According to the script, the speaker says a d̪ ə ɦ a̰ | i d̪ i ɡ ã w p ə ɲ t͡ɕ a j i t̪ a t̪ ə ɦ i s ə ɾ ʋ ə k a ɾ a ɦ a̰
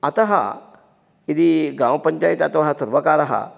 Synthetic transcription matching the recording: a t̪ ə ɦ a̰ | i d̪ i ɡ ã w p ə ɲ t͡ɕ a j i t̪ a t̪ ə ɦ a s ə ɾ ʋ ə k a ɾ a ɦ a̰